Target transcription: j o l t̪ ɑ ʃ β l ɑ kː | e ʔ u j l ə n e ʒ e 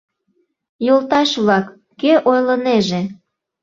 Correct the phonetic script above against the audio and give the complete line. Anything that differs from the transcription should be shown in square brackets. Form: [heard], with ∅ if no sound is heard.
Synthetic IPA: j o l t̪ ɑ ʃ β l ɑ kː | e ʔ [o] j l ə n e ʒ e